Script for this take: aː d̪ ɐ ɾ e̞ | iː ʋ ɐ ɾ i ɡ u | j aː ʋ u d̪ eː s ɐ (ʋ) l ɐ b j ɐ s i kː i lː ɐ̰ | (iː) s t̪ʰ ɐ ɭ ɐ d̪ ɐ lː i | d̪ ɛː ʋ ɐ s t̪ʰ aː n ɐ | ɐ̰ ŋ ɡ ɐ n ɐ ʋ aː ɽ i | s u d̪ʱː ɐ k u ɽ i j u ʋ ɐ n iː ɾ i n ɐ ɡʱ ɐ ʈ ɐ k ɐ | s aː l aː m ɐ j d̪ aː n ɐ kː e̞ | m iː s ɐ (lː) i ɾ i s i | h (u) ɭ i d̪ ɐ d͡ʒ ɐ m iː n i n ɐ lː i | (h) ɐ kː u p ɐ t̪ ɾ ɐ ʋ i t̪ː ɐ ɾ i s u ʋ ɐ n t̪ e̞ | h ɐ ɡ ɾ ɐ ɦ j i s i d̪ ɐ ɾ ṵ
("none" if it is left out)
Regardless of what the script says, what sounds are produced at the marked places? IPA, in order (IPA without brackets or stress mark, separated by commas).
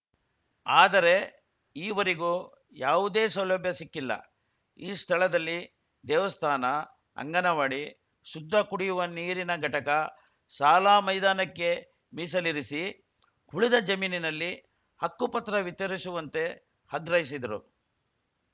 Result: w, iː, l, u, h